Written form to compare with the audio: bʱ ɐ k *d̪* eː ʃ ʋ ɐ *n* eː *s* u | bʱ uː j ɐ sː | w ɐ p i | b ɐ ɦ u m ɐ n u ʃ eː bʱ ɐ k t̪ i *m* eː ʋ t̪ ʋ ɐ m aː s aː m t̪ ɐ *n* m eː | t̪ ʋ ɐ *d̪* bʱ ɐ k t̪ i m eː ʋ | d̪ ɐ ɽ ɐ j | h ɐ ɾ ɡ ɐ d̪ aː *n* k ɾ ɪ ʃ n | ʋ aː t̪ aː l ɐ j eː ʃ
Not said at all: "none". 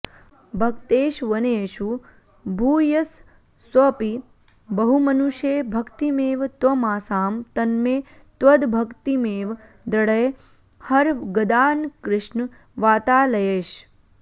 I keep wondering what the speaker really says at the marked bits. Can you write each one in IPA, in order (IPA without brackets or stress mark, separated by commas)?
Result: t̪, n, ʃ, m, n, d̪, n